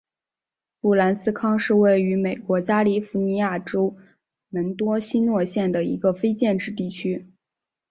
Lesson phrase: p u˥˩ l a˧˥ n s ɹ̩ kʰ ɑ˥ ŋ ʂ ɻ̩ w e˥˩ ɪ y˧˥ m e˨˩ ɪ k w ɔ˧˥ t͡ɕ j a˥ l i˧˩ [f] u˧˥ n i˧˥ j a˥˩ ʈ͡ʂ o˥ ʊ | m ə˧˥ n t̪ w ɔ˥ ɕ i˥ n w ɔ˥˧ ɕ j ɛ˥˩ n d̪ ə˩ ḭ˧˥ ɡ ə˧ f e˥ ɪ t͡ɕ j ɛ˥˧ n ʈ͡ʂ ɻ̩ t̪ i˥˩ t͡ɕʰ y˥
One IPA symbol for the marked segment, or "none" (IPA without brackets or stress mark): f